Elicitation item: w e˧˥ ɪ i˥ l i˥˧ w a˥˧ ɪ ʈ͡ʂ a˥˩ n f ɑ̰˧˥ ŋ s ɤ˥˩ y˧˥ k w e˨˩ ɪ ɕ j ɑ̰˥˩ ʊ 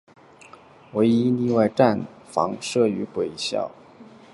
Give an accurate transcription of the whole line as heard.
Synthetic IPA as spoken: w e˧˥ ɪ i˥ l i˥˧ w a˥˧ ɪ ʈ͡ʂ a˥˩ n f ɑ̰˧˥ ŋ ʂ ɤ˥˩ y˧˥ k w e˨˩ ɪ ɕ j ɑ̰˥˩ ʊ